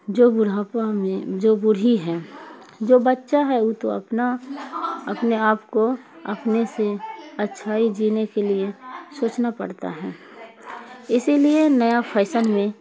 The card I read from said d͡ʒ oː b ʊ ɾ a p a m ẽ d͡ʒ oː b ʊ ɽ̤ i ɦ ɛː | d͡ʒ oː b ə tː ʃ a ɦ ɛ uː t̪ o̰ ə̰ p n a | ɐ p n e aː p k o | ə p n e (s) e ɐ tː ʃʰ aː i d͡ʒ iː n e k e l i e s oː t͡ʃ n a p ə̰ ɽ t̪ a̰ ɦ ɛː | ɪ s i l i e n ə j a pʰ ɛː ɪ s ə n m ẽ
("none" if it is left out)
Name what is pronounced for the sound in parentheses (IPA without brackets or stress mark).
s